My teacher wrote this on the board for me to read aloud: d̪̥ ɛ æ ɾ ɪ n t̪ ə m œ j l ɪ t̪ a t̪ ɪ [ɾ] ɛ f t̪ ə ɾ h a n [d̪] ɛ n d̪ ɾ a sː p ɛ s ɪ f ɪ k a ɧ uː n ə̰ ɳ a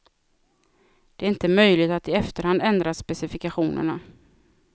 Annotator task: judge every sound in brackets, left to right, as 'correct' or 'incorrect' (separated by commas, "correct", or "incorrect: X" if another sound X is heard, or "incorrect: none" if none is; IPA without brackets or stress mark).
incorrect: none, correct